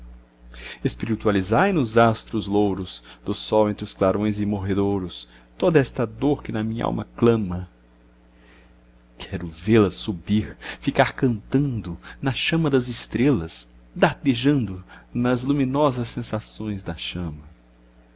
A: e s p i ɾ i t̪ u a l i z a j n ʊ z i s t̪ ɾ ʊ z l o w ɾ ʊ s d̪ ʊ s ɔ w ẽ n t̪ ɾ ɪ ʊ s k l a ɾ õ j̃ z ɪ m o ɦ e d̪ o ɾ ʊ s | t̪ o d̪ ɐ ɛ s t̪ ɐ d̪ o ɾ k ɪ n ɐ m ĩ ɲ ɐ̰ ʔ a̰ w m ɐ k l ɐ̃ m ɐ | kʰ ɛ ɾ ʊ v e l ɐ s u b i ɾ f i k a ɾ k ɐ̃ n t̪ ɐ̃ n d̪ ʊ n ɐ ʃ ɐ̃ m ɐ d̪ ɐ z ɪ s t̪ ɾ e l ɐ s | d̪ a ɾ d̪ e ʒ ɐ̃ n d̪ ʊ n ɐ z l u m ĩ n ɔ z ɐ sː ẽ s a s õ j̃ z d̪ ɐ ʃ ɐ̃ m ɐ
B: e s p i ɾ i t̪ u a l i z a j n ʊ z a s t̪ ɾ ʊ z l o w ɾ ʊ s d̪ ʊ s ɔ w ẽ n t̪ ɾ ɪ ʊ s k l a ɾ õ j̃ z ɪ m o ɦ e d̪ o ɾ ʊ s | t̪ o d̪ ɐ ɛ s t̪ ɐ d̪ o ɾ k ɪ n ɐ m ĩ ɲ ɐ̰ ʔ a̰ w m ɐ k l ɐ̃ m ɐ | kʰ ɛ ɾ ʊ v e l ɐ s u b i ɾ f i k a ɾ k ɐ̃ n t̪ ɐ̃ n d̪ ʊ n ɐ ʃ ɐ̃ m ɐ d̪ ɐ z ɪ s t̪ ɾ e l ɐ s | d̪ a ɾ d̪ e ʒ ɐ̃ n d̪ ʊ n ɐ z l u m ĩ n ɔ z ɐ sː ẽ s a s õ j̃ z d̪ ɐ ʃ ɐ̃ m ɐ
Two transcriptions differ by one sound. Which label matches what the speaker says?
B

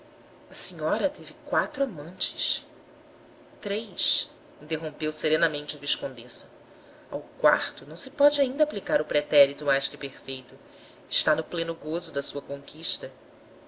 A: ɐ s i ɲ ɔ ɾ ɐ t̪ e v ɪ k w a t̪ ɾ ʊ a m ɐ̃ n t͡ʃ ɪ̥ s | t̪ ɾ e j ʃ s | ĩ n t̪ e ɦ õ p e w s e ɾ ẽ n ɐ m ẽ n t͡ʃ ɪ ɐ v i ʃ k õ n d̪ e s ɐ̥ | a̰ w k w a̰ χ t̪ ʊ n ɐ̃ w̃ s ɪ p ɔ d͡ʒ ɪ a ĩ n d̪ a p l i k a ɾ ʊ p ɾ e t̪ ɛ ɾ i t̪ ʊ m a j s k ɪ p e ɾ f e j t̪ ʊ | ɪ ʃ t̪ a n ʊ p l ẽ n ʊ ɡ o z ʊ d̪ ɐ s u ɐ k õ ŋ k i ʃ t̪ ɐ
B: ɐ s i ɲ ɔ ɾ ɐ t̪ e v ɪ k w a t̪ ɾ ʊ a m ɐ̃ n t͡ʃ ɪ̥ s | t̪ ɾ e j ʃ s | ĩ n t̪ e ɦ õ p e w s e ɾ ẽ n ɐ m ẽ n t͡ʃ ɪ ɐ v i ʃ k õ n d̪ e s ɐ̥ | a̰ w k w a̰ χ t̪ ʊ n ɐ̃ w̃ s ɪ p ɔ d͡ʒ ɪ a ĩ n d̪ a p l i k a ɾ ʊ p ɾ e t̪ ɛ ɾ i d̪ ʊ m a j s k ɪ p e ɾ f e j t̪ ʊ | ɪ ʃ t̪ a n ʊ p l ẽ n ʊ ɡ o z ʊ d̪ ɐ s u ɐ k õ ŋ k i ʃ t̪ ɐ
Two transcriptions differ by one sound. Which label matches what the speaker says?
A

